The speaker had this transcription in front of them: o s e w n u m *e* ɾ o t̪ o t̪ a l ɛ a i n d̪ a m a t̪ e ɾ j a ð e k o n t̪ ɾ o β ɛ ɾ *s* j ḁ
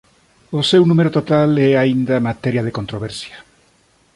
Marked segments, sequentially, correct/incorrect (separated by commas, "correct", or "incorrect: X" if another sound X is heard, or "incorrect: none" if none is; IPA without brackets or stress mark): correct, correct